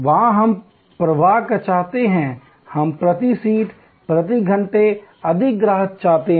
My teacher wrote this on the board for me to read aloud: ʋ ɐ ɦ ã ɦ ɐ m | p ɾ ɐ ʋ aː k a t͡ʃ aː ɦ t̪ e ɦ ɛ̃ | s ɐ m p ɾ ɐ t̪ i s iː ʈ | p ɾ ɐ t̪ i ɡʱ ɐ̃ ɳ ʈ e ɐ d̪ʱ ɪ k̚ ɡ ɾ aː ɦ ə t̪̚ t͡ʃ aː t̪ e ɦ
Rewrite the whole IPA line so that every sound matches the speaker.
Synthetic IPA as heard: ʋ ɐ ɦ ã ɦ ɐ m | p ɾ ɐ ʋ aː k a t͡ʃ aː ɦ t̪ e ɦ ɛ̃ | h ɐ m p ɾ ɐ t̪ i s iː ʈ | p ɾ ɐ t̪ i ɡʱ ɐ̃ ɳ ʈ e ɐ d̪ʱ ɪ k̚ ɡ ɾ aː ɦ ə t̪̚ t͡ʃ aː t̪ e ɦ